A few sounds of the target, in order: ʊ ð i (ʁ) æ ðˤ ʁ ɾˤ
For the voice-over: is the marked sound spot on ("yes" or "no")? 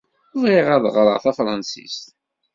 yes